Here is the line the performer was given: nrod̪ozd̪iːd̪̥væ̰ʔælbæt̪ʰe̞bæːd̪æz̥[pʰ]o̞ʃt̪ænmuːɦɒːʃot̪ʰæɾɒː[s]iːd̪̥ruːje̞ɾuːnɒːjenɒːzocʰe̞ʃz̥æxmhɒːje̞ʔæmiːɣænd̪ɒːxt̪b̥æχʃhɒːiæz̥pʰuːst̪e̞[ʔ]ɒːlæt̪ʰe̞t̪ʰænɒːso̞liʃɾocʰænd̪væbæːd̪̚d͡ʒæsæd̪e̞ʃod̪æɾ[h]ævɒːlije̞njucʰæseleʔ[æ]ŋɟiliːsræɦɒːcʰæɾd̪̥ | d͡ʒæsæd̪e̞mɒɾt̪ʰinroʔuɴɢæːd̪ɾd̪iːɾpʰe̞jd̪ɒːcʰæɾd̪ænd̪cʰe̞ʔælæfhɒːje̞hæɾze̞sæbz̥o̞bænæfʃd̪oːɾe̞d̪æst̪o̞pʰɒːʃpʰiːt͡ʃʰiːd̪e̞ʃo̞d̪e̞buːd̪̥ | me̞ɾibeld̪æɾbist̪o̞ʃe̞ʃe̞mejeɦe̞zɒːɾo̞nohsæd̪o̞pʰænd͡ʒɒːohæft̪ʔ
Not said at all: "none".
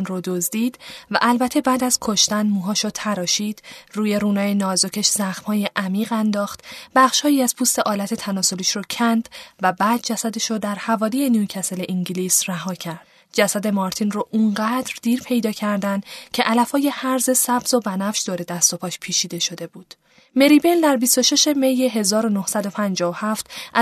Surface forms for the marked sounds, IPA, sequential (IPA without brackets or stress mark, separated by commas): kʰ, ʃ, ʔ, h, i